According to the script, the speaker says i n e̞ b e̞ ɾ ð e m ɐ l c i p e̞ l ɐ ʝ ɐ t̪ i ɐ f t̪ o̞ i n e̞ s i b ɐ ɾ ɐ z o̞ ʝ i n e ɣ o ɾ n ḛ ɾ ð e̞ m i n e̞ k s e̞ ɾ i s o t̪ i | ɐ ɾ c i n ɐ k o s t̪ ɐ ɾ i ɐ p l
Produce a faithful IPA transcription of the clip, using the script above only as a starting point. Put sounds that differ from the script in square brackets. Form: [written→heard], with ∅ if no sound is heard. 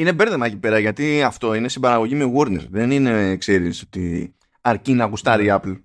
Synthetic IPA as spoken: i n e̞ b e̞ ɾ ð e m ɐ [l→∅] c i p e̞ [l→ɾ] ɐ ʝ ɐ t̪ i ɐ f t̪ o̞ i n e̞ s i b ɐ ɾ ɐ [z→ɣ] o̞ ʝ i [n→m] e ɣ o ɾ n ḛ ɾ ð e̞ [m→n] i n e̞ k s e̞ ɾ i s o t̪ i | ɐ ɾ c i n ɐ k [o→u] s t̪ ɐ ɾ i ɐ p l